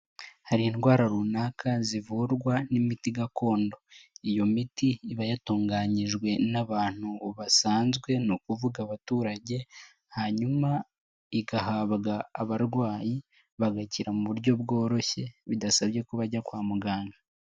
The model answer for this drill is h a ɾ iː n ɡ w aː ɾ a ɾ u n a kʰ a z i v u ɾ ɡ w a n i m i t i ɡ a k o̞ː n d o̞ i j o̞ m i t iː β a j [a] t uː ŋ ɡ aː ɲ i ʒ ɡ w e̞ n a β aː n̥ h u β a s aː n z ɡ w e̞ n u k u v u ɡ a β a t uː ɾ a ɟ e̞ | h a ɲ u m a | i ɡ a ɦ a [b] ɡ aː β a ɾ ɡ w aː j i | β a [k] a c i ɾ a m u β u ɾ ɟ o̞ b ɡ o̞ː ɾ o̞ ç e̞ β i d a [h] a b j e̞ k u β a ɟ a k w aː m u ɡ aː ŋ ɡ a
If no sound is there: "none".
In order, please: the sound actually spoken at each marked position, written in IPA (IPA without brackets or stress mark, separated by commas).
a, β, ɡ, s